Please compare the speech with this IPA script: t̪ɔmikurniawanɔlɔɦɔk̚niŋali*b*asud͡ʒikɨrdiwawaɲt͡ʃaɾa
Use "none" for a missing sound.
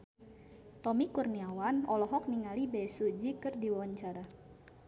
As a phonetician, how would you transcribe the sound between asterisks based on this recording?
b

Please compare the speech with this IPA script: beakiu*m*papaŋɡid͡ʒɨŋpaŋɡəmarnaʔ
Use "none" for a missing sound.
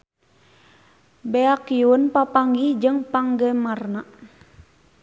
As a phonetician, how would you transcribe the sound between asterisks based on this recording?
n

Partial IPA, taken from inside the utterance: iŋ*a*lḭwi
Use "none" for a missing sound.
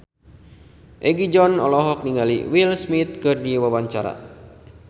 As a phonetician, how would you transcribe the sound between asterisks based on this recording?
a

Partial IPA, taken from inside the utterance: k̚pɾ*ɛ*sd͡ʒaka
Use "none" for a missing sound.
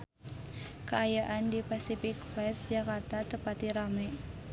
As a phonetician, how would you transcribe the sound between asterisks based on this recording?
ɛ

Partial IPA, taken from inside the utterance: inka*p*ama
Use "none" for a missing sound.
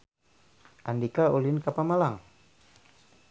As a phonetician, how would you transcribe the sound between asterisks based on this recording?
p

